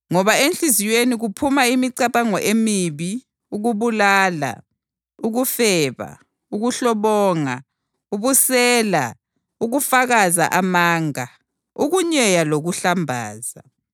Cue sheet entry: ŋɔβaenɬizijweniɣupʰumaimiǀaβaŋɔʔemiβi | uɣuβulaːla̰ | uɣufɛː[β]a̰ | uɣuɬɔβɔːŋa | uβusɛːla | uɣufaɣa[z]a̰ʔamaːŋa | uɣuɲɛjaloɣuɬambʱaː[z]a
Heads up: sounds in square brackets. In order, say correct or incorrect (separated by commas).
correct, correct, correct